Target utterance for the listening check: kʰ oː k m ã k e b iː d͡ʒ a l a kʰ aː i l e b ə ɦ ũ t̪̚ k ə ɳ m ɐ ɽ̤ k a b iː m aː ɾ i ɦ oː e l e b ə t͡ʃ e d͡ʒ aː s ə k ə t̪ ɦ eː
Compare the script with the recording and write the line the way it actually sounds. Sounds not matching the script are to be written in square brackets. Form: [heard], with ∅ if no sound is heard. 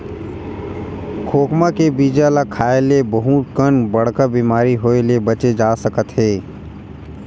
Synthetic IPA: kʰ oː k m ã k e b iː d͡ʒ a l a kʰ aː [e] l e b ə ɦ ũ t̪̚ k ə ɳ [b] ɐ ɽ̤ k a b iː m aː ɾ i ɦ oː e l e b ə t͡ʃ e d͡ʒ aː s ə k ə t̪ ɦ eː